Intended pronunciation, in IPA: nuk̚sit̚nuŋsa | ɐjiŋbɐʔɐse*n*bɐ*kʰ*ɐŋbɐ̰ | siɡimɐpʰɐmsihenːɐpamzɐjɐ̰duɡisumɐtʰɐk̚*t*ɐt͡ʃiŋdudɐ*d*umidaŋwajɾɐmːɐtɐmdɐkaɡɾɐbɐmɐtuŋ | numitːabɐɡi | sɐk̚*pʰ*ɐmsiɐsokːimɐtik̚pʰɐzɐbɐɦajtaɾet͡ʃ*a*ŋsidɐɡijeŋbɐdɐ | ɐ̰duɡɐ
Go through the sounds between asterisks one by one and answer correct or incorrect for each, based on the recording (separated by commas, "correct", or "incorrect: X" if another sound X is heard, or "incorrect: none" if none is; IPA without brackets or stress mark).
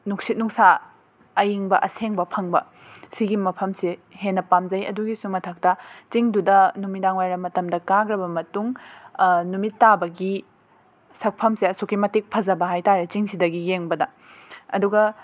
incorrect: ŋ, incorrect: pʰ, correct, incorrect: n, correct, incorrect: i